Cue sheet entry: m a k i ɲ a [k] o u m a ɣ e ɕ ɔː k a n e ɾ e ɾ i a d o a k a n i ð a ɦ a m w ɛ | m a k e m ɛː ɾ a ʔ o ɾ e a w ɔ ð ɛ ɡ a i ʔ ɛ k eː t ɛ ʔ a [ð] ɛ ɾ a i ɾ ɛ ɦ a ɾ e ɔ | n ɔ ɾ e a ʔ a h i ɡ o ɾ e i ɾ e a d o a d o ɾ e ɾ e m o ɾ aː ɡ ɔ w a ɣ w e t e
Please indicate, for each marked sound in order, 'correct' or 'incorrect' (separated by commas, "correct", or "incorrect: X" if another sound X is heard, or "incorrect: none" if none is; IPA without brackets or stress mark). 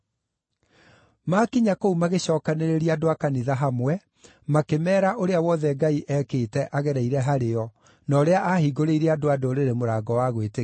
correct, incorrect: ɣ